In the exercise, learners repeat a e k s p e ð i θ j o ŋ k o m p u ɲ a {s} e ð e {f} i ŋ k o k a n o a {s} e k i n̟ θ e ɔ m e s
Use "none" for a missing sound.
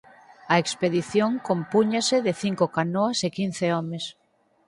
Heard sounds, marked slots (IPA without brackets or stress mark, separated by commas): s, θ, s